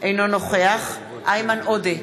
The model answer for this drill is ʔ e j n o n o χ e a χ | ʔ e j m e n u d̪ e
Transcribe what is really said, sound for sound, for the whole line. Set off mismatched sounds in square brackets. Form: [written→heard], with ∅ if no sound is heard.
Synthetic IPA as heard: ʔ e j n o n o χ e a χ | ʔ [e→a] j m [e→a] n [u→o] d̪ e